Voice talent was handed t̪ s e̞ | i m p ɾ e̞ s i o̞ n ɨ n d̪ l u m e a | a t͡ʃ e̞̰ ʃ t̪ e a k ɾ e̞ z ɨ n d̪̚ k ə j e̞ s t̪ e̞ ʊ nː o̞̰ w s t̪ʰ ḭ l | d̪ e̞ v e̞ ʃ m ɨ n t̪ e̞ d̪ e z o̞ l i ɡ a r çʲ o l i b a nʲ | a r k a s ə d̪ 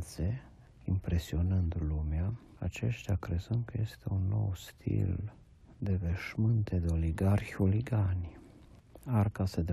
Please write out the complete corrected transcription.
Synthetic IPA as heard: t̪ s e̞ | i m p ɾ e̞ s i o̞ n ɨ n d̪ l u m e a | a t͡ʃ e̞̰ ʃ t̪ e a k ɾ e̞ z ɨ n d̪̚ k ə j e̞ s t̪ e̞ u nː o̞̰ w s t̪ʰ ḭ l | d̪ e̞ v e̞ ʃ m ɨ n t̪ e̞ d̪ e o̞ l i ɡ a r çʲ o l i ɡ a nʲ | a r k a s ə d̪